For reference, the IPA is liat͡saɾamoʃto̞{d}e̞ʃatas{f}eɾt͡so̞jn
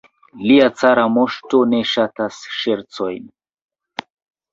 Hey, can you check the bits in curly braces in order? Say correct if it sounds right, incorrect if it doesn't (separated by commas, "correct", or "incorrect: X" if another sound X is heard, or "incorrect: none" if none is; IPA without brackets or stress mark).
incorrect: n, incorrect: ʃ